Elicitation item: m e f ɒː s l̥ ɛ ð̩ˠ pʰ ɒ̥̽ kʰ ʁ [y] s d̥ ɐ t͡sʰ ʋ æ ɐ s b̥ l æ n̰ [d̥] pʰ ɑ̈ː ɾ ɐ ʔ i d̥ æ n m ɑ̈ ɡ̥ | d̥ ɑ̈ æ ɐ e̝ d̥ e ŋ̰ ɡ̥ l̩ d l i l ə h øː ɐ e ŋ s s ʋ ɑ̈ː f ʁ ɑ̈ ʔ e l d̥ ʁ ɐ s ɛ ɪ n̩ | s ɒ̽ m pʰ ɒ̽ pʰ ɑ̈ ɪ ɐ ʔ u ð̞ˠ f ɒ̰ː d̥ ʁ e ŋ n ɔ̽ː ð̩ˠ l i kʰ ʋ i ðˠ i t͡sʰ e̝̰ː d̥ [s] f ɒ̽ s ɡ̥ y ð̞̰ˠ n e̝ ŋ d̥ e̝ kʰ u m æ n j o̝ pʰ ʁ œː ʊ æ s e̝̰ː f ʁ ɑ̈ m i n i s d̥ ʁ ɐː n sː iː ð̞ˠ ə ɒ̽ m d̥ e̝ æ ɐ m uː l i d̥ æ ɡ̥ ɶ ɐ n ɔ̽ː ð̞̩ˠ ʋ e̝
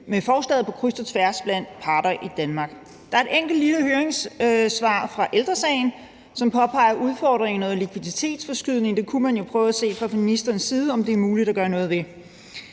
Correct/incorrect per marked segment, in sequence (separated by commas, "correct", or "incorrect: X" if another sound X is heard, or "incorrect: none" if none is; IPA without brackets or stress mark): correct, correct, correct